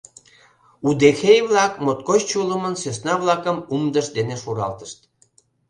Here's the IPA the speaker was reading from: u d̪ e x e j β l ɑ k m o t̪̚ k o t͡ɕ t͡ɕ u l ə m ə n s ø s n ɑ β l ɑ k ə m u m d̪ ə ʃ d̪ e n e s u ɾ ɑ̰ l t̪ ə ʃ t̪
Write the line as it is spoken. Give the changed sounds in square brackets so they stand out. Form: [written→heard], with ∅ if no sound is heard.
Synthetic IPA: u d̪ e x e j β l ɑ k m o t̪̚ k o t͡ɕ t͡ɕ u l ə m ə n s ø s n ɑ β l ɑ k ə m u m d̪ ə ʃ d̪ e n e [s→ʃ] u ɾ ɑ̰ l t̪ ə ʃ t̪